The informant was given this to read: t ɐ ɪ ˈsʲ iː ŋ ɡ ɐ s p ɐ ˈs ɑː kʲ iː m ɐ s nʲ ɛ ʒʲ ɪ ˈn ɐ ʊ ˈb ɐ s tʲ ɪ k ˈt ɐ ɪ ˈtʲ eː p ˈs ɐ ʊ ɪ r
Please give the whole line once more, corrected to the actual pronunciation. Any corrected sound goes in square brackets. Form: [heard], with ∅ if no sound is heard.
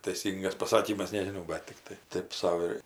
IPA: t ɐ ɪ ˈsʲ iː ŋ ɡ ɐ s p ɐ ˈs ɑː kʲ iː m ɐ s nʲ ɛ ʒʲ ɪ ˈn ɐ ʊ ˈb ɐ [t] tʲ ɪ k ˈt ɐ ɪ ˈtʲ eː p ˈs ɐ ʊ ɪ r